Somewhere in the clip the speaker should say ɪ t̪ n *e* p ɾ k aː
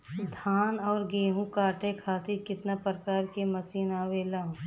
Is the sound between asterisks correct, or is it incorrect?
incorrect